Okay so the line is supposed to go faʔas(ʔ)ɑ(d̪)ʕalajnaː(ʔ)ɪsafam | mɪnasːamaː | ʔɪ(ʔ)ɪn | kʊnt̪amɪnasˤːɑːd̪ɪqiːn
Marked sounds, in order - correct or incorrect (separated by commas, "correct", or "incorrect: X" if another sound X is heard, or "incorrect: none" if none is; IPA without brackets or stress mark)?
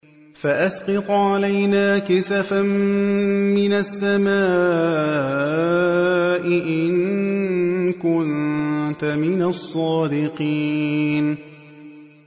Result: incorrect: q, incorrect: t̪, incorrect: k, correct